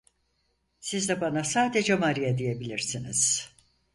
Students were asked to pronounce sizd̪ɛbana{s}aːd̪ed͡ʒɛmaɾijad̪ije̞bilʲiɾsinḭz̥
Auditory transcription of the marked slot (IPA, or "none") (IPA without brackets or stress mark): s